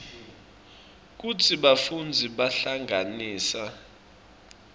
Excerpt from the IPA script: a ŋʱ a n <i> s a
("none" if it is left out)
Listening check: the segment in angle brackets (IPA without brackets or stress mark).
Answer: iː